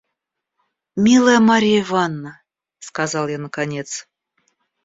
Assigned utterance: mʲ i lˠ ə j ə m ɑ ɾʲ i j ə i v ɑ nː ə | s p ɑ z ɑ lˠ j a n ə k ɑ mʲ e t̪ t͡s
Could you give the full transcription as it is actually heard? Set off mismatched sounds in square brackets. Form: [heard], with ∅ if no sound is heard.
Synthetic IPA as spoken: mʲ i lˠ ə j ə m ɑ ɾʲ i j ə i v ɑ nː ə | s [k] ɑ z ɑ lˠ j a n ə k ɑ [nʲ] e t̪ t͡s